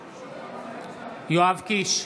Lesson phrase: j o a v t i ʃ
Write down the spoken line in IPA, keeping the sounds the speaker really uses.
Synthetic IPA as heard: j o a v k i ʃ